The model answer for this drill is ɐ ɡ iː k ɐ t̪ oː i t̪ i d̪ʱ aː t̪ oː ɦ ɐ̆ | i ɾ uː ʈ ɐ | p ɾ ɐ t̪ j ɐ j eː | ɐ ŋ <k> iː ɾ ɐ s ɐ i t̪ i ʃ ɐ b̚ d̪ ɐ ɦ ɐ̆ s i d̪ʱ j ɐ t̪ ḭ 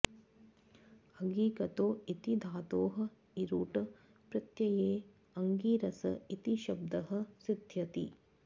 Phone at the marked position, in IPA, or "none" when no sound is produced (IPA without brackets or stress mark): ɡ